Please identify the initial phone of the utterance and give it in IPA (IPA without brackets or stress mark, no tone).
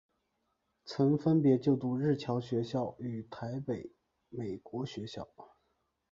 t͡sʰ